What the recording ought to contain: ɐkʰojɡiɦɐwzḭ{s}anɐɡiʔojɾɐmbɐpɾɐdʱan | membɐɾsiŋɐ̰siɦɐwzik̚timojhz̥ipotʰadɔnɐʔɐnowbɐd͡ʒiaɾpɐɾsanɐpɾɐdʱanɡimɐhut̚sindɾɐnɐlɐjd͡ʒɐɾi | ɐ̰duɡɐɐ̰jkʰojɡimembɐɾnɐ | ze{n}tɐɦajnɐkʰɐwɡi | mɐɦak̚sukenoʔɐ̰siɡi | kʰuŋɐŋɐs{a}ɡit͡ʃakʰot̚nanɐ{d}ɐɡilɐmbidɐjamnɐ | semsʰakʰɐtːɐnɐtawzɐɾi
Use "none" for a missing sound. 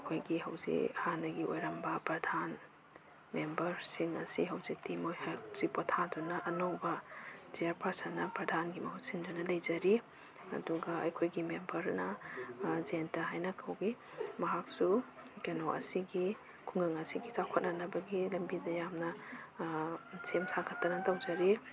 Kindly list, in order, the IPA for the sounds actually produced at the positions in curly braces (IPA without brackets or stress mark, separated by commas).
h, n, i, b